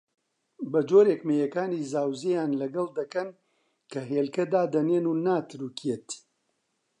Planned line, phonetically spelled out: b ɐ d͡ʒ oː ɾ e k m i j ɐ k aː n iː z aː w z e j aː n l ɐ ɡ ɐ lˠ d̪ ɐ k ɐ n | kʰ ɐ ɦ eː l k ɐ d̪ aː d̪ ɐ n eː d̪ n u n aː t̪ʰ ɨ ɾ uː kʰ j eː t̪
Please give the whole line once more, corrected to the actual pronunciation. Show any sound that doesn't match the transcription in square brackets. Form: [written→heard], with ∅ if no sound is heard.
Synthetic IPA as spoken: b ɐ d͡ʒ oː ɾ e k m [i→e] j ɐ k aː n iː z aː w z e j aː n l ɐ ɡ ɐ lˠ d̪ ɐ k ɐ n | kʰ ɐ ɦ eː l k ɐ d̪ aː d̪ ɐ n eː [d̪→∅] n u n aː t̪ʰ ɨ ɾ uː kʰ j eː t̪